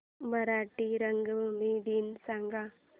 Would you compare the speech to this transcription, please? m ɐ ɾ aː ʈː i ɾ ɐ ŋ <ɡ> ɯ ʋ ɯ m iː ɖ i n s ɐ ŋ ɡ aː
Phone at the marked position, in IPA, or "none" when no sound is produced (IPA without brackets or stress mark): ɡ